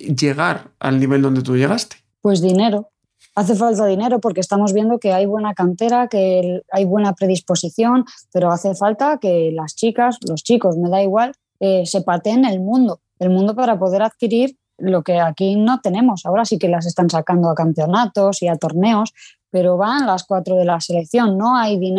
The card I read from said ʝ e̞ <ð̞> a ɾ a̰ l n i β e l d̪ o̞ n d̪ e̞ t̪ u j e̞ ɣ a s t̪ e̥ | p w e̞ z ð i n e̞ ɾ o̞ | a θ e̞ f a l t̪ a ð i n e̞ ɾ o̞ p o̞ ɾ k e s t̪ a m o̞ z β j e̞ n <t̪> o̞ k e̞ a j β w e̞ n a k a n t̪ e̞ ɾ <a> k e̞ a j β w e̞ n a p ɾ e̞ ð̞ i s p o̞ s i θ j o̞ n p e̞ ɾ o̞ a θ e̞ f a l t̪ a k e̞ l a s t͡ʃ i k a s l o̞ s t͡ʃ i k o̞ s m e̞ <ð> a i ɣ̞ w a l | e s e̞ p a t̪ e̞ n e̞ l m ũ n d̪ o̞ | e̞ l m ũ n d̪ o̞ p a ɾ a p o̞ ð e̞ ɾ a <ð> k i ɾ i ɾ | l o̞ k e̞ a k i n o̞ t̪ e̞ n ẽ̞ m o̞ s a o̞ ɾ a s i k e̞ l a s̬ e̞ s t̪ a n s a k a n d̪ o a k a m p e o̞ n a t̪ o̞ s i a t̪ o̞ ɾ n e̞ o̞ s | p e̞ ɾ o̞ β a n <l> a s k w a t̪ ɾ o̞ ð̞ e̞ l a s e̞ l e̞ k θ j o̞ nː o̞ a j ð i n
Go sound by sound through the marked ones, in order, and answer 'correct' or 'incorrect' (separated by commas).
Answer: incorrect, incorrect, correct, correct, correct, correct